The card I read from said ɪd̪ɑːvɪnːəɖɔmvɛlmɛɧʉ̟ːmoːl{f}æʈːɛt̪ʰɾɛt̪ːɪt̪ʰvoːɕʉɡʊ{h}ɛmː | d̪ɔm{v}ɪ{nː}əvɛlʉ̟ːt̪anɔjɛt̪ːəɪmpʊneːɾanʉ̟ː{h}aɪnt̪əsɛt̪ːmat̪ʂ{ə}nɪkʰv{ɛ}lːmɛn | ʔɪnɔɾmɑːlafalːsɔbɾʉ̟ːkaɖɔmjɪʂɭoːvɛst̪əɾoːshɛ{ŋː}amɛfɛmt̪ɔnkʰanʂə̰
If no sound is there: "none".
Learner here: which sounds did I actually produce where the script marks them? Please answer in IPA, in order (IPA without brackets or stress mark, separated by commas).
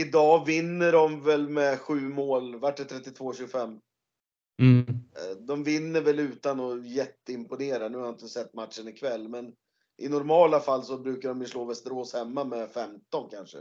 v, f, v, nː, h, ə, ɛ, mː